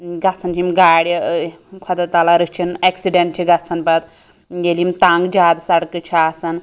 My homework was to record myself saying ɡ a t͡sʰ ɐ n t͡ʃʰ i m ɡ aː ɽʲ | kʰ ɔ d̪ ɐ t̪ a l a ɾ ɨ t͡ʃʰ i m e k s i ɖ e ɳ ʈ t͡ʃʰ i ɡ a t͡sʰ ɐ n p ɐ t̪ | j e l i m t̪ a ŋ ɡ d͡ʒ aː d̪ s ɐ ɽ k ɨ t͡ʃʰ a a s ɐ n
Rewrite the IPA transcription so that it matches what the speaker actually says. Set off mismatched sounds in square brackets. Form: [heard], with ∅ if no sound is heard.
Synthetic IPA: ɡ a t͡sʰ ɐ n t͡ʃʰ i m ɡ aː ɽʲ | kʰ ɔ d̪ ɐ t̪ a l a ɾ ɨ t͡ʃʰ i [n] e k s i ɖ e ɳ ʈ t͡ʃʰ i ɡ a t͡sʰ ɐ n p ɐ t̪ | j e l i m t̪ a ŋ ɡ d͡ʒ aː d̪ s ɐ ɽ k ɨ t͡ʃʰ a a s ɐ n